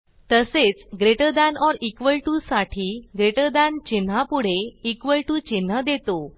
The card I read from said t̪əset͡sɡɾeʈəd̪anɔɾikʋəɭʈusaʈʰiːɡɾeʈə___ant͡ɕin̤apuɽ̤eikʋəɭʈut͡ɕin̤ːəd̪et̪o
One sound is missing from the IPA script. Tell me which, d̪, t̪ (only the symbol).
d̪